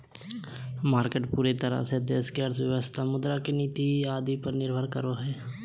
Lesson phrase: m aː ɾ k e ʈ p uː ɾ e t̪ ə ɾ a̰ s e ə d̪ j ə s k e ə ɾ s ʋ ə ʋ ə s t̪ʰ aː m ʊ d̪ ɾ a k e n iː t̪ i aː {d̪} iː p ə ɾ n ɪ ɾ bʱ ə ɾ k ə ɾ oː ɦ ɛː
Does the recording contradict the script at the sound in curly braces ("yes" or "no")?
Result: no